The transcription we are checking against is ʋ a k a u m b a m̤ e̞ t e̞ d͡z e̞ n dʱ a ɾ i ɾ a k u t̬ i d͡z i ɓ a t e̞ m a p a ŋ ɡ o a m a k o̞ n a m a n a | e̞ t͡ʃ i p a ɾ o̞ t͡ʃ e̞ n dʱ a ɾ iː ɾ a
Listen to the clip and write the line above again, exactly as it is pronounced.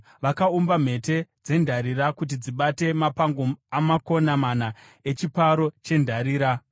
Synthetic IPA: ʋ a k a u m b a m̤ e̞ t e̞ d͡z e̞ n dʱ a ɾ i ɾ a k u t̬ i d͡z i ɓ a t e̞ m a p a ŋ ɡ o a m a k o̞ n a m a n a | e̞ t͡ʃ i p a ɾ o̞ t͡ʃ e̞ n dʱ a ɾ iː ɾ a